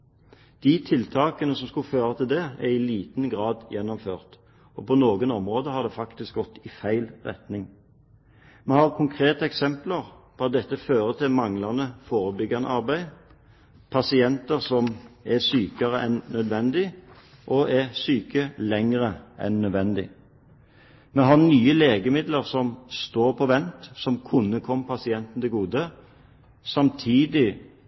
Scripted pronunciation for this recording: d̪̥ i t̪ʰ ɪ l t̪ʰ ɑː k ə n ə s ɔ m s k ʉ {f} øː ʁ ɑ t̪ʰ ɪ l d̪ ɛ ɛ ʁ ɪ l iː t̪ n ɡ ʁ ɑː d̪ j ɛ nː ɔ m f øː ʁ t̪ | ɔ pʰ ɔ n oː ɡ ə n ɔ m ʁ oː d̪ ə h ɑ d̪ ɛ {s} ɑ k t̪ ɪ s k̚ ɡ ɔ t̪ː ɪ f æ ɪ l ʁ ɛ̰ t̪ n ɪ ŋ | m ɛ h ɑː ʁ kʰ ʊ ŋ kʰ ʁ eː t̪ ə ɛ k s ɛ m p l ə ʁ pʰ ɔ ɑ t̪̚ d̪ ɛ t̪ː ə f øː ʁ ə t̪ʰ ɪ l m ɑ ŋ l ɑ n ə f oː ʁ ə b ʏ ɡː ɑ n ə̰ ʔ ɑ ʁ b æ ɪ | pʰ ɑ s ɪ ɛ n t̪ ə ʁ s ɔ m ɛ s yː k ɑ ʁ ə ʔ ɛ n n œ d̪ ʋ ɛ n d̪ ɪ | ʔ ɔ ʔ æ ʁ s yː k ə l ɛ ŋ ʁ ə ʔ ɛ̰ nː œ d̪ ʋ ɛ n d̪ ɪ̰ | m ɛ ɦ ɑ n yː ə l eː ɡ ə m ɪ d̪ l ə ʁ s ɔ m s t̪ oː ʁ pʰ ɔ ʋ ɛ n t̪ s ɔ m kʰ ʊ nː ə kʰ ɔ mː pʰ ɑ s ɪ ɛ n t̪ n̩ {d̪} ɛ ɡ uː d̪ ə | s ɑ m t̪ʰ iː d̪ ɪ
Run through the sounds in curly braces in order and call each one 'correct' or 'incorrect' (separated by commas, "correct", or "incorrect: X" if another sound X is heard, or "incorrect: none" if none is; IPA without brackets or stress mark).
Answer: correct, incorrect: f, correct